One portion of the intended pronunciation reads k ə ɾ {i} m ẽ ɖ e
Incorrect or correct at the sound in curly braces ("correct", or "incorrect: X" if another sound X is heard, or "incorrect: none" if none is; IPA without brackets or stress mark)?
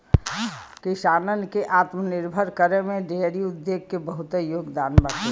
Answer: incorrect: e